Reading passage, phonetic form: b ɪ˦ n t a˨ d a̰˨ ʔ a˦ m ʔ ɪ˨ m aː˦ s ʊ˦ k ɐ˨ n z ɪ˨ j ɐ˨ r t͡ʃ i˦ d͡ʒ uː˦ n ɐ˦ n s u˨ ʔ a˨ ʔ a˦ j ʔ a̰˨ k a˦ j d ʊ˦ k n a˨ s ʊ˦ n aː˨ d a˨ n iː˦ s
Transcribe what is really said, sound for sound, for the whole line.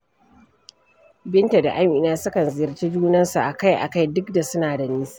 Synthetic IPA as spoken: b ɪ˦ n t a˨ d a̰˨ ʔ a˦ m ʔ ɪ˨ n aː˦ s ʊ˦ k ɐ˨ n z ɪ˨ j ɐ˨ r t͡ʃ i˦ d͡ʒ uː˦ n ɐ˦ n s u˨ ʔ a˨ k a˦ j ʔ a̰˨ k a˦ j d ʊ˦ k d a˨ s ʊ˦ n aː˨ d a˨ n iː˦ s